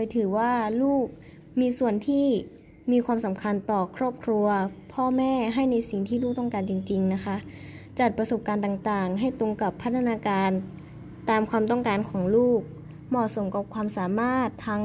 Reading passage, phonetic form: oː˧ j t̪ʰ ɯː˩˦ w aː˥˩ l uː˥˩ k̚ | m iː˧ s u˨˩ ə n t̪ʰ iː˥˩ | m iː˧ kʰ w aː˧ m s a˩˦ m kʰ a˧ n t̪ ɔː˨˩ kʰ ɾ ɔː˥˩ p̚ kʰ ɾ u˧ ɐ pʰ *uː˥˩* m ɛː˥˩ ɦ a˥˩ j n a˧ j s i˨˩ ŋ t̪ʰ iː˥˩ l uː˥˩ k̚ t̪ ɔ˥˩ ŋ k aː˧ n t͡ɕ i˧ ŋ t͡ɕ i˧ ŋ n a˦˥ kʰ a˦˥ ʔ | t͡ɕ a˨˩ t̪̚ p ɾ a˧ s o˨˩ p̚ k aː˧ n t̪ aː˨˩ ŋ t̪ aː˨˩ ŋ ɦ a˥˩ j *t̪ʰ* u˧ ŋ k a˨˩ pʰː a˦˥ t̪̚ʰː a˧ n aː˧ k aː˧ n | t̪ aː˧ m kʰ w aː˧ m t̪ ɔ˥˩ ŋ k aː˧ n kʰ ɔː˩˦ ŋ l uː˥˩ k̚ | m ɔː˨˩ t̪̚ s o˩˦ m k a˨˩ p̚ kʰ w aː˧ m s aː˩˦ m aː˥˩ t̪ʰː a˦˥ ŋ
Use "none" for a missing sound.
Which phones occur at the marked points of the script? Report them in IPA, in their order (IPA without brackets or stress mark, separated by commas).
ɔː˥˩, t̪